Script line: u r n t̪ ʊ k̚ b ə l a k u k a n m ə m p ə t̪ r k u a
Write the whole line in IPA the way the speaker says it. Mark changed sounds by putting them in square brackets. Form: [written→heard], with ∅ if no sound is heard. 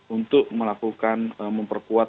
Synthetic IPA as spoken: u [r→∅] n t̪ ʊ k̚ [b→m] ə l a k u k a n m ə m p ə [t̪→∅] r k u a